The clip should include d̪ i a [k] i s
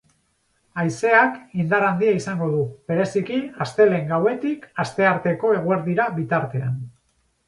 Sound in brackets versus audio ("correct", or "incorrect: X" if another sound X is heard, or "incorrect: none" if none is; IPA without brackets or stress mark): incorrect: none